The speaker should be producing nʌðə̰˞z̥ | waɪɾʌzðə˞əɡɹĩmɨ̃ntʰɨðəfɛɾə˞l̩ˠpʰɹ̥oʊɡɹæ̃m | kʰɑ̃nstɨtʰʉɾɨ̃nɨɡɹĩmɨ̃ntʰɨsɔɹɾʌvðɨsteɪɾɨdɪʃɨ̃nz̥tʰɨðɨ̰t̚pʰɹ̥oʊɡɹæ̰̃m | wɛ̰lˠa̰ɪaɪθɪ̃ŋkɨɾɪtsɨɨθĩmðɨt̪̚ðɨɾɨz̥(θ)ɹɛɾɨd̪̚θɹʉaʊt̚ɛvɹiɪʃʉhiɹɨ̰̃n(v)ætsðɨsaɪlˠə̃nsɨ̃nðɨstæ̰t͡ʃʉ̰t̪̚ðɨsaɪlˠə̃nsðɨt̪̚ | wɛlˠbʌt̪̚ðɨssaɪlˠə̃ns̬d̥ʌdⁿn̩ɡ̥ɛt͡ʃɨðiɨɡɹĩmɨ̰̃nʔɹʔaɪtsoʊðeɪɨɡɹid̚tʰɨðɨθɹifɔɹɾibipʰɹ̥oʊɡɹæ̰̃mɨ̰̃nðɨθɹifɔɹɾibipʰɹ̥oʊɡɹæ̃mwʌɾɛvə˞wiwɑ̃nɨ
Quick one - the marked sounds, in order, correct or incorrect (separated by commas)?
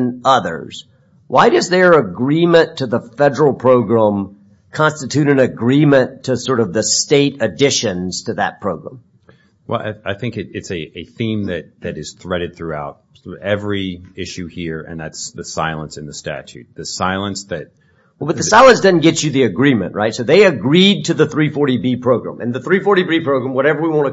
correct, incorrect